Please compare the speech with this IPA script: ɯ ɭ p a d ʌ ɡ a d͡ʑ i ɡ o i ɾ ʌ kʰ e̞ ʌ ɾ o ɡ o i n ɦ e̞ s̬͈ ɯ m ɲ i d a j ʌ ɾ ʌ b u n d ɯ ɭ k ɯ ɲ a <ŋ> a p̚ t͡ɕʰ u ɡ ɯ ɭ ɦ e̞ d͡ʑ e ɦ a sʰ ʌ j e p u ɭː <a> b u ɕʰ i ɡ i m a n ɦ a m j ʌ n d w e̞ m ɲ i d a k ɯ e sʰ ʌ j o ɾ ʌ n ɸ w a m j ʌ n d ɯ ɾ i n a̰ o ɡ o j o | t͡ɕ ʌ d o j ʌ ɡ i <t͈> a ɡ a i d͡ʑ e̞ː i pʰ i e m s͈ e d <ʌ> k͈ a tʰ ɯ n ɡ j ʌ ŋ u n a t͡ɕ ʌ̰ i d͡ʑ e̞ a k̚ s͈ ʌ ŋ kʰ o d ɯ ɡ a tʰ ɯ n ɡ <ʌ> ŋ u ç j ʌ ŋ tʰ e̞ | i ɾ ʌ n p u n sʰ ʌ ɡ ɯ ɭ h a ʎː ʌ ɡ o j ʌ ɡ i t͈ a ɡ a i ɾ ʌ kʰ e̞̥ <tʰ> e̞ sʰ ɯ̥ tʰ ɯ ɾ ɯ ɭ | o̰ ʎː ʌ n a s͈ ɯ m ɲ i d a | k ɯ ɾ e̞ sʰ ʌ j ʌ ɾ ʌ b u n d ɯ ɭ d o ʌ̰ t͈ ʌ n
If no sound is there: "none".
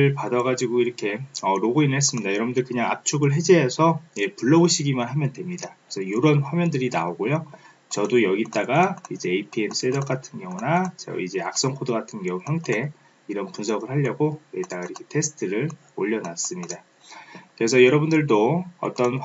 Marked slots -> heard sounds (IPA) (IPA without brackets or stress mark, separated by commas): ŋ, ʌ, t͈, ʌ, ʌ, tʰ